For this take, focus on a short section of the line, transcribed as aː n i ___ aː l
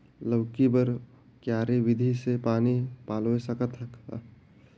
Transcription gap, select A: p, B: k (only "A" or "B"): A